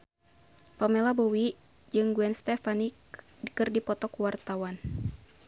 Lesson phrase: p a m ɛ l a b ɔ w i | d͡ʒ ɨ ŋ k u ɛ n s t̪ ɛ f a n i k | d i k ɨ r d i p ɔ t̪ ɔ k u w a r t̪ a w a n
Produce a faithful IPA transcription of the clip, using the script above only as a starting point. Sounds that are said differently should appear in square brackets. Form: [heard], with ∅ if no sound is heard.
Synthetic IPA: p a m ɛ l a b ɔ w i | d͡ʒ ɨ ŋ [ɡ] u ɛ n s t̪ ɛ f a n i k | d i k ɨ r d i p ɔ t̪ ɔ k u w a r t̪ a w a n

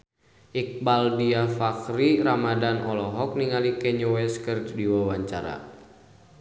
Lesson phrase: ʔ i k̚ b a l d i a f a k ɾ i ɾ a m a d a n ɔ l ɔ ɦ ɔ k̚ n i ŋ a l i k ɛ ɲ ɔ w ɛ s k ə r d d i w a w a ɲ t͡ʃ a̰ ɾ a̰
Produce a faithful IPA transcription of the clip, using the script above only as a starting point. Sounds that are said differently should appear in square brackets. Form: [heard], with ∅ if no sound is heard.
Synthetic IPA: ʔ i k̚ b a l d i a f a k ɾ i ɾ a m a d a n ɔ l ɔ ɦ ɔ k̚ n i ŋ a l i k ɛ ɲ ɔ w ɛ s k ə r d d i w a w a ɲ t͡ʃ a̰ ɾ a̰

